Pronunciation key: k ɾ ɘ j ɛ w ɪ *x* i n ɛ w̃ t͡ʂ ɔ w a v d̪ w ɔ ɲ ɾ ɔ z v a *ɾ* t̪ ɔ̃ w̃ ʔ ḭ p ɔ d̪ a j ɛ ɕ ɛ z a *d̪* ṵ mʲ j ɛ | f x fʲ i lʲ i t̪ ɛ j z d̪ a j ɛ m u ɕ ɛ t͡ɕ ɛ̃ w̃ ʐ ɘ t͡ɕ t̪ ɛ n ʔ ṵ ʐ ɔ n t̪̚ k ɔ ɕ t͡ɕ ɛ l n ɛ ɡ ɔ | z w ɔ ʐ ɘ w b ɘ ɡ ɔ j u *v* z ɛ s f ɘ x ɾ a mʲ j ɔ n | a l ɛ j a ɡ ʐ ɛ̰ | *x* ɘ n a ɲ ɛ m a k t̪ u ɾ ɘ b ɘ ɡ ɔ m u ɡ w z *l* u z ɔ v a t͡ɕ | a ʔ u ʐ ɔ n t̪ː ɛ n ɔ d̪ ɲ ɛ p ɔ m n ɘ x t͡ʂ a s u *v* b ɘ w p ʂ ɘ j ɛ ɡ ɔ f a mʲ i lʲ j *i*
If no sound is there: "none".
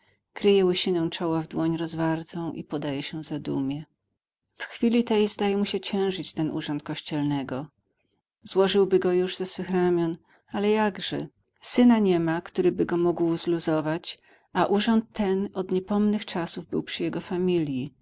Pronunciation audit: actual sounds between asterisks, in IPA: ɕ, ɾ, d̪, ʐ, s, l, v, i

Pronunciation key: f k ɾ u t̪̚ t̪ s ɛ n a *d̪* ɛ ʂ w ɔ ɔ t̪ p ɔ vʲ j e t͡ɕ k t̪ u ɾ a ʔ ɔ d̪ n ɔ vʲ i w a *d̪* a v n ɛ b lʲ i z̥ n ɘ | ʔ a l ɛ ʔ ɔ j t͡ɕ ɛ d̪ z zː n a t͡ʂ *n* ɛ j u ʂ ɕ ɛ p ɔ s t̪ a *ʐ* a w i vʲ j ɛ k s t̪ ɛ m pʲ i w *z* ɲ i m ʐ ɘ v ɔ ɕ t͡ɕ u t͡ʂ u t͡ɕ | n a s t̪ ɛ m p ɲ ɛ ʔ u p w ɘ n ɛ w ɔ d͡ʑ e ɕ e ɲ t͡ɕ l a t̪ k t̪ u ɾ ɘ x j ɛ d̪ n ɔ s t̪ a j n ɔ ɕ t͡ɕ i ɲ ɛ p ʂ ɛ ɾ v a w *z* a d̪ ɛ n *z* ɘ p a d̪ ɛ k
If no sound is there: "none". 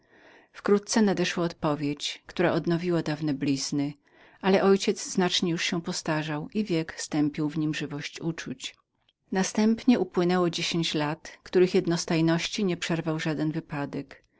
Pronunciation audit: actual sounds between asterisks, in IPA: d̪, d̪, ɲ, ʐ, v, ʐ, v

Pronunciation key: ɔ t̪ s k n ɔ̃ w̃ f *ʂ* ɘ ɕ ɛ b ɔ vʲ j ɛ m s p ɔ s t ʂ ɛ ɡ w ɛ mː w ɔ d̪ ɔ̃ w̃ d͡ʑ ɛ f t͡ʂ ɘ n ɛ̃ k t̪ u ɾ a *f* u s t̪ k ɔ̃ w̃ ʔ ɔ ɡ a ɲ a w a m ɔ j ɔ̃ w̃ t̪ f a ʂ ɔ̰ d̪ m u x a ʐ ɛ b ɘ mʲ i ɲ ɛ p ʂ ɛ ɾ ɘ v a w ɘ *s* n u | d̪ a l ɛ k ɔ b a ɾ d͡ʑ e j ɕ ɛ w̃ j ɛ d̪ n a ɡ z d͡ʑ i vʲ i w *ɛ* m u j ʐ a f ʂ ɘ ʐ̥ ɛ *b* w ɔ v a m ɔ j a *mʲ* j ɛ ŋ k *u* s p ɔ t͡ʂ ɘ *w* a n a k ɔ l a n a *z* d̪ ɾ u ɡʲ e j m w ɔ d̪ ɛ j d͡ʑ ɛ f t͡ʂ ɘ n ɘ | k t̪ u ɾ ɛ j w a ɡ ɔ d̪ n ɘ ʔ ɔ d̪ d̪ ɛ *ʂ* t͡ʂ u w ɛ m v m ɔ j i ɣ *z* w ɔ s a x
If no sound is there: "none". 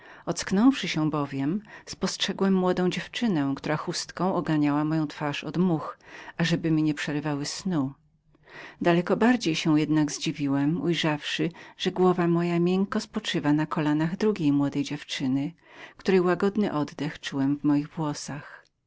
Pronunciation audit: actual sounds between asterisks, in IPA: ʂ, x, s, ɛ, ɡ, mʲ, ɔ, v, ɣ, x, v

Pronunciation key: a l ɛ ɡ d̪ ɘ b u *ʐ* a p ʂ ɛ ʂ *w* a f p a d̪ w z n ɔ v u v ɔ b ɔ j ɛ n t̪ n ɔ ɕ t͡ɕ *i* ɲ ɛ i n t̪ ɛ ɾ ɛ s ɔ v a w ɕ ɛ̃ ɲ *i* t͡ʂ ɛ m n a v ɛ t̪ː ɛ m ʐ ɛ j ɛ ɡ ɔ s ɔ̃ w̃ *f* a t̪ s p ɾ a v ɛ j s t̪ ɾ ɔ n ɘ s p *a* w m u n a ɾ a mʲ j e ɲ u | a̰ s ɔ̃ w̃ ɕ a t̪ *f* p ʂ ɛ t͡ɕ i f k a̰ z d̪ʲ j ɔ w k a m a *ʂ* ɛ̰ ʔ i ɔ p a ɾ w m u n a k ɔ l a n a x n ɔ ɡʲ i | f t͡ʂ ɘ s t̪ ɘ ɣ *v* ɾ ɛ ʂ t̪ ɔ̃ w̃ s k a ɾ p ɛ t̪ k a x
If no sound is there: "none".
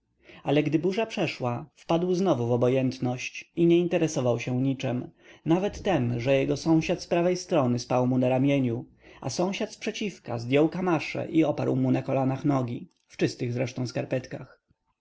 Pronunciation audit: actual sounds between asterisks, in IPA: ʐ, w, i, i, ɕ, a, s, ʂ, z

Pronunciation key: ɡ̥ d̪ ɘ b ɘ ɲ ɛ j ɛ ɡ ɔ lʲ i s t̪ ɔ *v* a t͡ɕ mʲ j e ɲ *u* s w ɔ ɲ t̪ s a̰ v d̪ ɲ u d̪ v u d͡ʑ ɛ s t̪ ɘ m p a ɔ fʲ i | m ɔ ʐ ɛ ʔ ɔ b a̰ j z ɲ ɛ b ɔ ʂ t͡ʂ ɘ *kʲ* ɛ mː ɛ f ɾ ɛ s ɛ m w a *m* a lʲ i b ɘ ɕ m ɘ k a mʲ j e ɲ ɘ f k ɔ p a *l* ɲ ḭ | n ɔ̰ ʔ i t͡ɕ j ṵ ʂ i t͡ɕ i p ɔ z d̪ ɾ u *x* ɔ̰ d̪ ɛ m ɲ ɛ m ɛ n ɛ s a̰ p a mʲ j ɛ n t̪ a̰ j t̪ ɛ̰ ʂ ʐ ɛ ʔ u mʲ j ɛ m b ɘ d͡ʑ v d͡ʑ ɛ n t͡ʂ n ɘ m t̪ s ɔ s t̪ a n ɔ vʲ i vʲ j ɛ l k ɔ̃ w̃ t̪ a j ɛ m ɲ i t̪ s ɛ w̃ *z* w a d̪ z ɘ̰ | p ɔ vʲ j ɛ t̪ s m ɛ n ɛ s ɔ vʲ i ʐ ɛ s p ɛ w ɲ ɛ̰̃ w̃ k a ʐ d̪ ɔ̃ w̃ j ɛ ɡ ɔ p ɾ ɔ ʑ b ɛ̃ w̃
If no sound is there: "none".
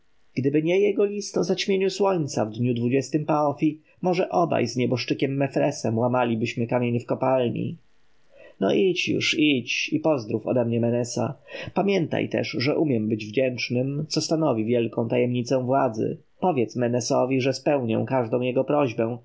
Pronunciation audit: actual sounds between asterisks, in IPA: z, u, kʲ, m, l, f, v

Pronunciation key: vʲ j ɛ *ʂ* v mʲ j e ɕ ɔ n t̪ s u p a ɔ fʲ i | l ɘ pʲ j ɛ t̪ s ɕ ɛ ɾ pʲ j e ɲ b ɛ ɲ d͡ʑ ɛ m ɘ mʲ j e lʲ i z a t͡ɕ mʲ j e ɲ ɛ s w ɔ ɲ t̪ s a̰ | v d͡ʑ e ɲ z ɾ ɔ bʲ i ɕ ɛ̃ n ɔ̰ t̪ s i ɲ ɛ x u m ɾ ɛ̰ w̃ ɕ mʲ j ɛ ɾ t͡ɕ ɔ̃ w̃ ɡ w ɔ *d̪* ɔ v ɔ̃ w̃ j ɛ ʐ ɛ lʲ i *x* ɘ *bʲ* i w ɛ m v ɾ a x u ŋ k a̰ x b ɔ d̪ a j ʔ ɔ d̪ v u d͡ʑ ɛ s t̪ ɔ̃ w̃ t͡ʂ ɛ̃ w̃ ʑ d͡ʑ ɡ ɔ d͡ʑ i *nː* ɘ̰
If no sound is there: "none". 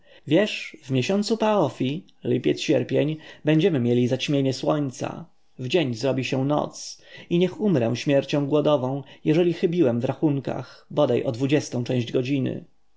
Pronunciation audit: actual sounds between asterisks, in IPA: ʂ, d̪, x, bʲ, n

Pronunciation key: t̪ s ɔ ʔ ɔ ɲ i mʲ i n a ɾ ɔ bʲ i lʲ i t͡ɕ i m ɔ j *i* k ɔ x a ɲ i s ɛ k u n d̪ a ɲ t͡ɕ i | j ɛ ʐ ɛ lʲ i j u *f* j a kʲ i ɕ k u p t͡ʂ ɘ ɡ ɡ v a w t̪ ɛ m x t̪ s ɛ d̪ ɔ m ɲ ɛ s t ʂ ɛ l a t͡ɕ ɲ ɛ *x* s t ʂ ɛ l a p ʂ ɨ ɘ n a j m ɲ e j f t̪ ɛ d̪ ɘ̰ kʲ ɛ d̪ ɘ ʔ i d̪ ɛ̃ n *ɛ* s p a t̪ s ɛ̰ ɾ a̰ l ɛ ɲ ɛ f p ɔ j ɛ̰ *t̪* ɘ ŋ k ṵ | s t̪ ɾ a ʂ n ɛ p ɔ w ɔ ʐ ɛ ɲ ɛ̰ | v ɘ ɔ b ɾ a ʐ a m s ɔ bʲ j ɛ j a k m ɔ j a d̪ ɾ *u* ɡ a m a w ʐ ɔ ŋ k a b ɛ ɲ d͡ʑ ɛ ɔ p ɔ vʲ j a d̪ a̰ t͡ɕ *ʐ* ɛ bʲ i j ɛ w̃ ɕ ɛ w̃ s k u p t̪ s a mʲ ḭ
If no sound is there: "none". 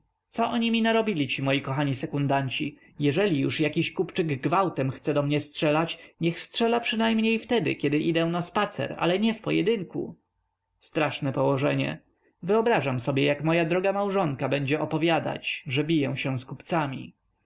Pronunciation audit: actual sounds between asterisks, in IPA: i, ʂ, x, a, d̪, ɔ, ʐ

